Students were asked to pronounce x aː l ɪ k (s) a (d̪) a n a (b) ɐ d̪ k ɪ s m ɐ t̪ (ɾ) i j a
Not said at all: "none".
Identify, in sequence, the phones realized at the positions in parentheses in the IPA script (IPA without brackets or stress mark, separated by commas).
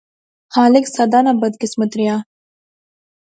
s, d̪, b, ɾ